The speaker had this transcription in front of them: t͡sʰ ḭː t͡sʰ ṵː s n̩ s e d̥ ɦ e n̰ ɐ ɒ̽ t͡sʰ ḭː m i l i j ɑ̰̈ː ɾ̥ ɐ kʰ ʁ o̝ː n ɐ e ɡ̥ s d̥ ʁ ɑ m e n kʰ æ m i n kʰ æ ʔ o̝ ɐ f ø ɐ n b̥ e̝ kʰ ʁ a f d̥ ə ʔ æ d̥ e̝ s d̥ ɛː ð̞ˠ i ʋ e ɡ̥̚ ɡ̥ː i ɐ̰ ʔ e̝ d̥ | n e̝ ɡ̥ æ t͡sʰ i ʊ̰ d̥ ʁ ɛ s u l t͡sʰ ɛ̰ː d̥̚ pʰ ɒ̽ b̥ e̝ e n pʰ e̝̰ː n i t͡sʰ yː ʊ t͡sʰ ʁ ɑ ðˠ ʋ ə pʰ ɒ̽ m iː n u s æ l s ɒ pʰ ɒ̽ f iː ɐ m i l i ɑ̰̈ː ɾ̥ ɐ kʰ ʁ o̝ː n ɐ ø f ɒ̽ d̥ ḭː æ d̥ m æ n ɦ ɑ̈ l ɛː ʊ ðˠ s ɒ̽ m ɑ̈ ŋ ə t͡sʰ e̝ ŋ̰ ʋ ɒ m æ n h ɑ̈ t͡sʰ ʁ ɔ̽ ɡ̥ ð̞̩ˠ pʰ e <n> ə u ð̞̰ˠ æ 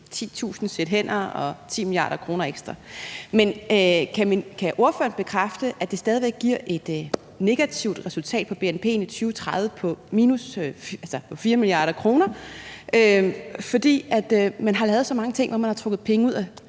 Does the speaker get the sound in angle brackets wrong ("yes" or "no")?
yes